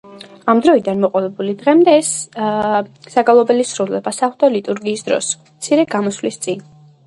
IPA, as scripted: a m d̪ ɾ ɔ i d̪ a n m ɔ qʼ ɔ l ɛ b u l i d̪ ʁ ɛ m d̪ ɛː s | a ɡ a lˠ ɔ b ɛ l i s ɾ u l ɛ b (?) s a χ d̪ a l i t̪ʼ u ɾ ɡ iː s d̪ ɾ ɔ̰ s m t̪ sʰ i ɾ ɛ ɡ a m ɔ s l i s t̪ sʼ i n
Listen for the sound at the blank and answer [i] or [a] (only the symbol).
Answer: a